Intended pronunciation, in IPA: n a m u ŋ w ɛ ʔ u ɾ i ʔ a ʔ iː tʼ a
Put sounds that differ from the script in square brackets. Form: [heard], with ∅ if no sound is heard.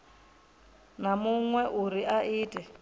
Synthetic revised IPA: n a m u ŋ w ɛ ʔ u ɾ i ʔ a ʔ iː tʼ [ɛ]